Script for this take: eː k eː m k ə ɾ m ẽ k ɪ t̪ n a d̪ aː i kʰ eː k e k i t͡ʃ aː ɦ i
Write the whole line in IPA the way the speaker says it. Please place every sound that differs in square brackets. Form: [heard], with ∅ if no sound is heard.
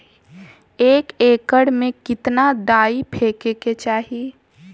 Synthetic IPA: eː k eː [∅] k ə [ɽ] m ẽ k ɪ t̪ n a d̪ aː i [pʰ] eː k e k [e] t͡ʃ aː ɦ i